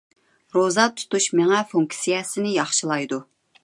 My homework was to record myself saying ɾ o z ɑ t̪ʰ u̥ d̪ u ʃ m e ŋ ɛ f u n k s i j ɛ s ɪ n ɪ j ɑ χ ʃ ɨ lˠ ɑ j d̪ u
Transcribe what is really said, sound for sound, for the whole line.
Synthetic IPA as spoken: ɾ o z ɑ t̪ʰ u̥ t̪ u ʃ m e ŋ ɛ f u ŋ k s i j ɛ s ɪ n ɪ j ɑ χ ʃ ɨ lˠ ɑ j d̪ u